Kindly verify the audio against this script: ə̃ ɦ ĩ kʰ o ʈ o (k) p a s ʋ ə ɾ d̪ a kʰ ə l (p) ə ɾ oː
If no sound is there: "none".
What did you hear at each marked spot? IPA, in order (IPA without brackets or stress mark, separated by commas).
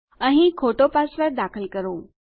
none, k